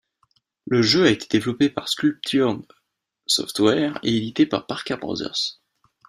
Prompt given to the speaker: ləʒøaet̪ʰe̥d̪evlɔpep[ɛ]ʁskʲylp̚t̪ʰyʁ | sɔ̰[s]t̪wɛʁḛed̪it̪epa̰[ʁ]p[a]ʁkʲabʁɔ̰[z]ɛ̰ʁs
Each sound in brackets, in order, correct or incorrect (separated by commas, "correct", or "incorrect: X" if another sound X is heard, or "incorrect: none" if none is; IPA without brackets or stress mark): incorrect: a, incorrect: f, correct, correct, correct